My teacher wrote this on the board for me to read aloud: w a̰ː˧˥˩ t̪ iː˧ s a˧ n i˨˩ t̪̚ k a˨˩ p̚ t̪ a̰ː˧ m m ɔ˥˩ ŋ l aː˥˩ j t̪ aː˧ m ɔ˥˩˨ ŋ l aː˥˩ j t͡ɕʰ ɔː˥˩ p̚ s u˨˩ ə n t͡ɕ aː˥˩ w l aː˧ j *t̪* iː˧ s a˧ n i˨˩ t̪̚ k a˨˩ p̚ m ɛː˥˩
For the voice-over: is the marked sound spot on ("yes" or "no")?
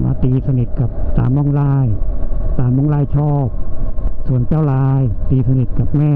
yes